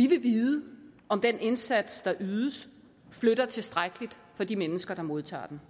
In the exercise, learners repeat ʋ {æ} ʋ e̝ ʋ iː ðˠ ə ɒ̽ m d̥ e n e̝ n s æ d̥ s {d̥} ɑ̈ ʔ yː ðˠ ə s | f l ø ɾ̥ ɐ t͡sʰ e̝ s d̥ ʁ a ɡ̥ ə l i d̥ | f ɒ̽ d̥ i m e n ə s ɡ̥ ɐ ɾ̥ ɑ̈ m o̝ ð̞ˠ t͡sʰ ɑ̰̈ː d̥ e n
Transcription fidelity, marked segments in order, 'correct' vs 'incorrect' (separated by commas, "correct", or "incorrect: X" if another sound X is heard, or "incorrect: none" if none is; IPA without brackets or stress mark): incorrect: i, correct